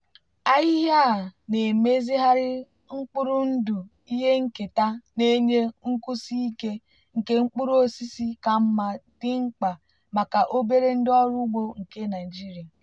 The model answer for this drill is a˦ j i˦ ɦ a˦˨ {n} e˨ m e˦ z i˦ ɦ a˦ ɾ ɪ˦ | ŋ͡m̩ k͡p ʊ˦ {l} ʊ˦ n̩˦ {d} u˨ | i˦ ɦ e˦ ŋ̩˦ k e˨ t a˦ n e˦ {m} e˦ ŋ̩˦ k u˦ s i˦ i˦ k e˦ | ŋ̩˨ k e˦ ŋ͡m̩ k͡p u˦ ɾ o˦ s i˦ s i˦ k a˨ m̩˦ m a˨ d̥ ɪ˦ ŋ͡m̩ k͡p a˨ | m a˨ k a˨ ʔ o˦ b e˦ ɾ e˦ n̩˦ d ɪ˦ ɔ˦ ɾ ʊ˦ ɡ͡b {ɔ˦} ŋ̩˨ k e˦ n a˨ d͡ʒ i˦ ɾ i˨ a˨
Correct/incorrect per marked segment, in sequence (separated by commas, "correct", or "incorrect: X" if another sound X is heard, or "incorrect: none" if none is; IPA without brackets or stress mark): correct, incorrect: ɾ, correct, incorrect: ɲ, incorrect: o˦